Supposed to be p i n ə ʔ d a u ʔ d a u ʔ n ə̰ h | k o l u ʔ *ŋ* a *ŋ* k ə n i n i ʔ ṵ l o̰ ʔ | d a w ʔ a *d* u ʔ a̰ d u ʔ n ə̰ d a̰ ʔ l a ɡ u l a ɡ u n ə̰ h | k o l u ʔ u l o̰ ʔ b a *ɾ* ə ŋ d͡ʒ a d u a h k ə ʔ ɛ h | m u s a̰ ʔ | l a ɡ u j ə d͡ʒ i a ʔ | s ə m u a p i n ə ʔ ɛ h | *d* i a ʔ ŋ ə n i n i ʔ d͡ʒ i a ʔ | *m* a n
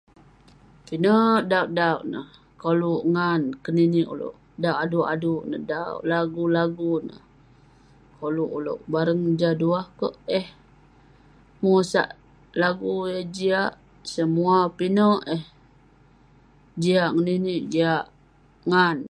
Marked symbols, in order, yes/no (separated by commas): yes, no, yes, yes, no, no